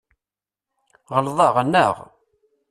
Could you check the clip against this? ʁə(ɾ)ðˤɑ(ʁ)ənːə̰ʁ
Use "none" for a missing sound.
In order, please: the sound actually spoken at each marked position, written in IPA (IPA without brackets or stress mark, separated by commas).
l, ʁ